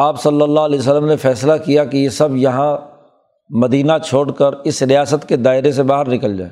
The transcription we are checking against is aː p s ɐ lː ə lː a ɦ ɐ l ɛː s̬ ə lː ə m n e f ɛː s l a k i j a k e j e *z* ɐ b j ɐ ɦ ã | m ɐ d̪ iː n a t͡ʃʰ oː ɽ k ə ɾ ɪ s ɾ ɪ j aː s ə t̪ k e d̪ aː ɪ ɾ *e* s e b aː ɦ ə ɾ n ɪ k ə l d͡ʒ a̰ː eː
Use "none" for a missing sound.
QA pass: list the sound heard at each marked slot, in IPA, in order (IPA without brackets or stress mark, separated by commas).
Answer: s, e